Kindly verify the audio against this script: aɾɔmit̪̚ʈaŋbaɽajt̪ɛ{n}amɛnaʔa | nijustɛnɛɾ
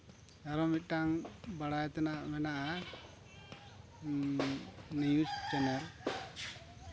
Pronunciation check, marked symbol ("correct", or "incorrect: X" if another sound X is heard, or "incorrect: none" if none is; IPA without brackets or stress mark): correct